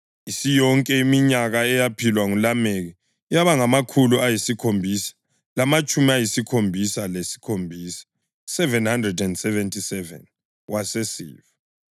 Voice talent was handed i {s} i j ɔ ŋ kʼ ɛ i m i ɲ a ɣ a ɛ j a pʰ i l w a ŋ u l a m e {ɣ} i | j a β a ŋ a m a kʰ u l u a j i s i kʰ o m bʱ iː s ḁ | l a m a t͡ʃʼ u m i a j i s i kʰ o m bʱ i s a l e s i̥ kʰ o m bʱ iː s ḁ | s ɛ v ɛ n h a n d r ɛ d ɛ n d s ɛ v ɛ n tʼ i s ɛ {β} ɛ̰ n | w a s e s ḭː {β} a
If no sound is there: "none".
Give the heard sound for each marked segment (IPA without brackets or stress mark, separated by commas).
s, ɣ, v, v